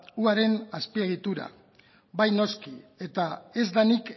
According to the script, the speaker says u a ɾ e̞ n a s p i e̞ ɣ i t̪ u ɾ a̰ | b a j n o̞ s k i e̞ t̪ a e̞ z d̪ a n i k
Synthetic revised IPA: u a ɾ e̞ n a s p i e̞ ɣ i t̪ u ɾ a̰ | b a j n o̞ s k i e̞ t̪ a e̞ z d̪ a n i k